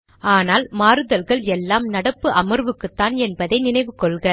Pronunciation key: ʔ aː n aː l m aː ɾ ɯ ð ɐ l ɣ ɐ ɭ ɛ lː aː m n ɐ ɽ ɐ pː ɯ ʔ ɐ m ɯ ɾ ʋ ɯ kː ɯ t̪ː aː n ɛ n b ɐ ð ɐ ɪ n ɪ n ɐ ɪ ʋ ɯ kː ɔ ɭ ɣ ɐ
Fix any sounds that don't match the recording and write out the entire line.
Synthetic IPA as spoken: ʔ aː n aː l m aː ɾ ɯ ð ɐ l ɣ ɐ ɭ ɛ lː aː m n ɐ ɽ ɐ pː ɯ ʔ ɐ m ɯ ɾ ʋ ɯ kː ɯ t̪ː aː n ɛ n b ɐ ð ɐ ɪ n ɪ n ɐ ɪ ʋ ɯ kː ɔ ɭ ɣ ɐ